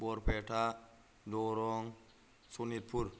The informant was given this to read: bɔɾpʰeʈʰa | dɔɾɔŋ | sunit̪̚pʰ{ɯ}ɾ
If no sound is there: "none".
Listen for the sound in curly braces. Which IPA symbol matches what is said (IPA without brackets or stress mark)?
u